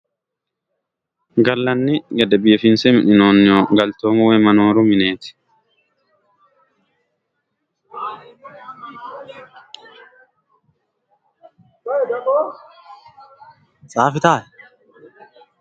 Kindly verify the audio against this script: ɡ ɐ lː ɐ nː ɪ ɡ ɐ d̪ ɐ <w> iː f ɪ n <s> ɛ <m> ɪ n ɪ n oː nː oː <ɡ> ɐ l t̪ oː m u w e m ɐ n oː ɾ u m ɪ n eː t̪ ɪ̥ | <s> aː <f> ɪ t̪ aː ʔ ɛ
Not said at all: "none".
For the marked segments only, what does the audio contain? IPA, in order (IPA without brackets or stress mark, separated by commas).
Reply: b, s, m, ɡ, s, f